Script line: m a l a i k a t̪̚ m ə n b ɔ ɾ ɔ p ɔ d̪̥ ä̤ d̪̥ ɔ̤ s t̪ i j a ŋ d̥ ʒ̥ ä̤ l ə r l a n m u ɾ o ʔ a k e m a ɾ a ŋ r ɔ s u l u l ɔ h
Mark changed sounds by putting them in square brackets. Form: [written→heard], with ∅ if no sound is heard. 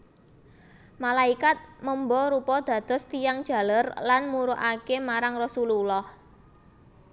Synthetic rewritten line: m a l a i k a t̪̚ m ə [n→m] b ɔ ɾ [ɔ→u] p ɔ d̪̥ ä̤ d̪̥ ɔ̤ s t̪ i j a ŋ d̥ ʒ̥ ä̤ l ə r l a n m u ɾ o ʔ a k e m a ɾ a ŋ r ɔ s u l u l ɔ h